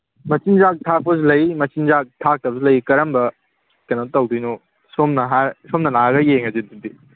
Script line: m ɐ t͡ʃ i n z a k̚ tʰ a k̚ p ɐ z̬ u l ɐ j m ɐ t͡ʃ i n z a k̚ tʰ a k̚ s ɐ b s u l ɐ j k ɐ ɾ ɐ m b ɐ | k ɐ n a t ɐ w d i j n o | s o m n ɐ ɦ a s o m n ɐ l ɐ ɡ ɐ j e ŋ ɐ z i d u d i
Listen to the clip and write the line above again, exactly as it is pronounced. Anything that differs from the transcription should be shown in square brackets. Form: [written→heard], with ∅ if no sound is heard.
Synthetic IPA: m ɐ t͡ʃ i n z a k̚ tʰ a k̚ p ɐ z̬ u l ɐ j m ɐ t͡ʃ i n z a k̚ tʰ a k̚ [s→t] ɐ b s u l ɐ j k ɐ ɾ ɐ m b ɐ | k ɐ n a t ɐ w d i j n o | s o m n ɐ ɦ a s o m n ɐ l [ɐ→a] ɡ ɐ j e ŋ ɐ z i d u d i